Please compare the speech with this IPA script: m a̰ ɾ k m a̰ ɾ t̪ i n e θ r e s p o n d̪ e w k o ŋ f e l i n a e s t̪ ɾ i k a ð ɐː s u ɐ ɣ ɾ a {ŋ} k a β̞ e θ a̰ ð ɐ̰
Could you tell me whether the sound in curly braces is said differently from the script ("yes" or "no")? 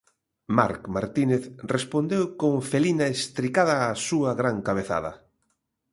no